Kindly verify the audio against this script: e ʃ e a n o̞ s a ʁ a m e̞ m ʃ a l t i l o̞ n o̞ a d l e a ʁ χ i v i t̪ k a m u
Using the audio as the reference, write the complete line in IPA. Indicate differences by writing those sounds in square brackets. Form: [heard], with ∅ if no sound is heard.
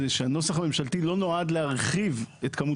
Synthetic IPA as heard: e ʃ e a n o̞ s a [χ] a m e̞ m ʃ a l t i l o̞ n o̞ a d l e a ʁ χ i v [e] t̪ k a m u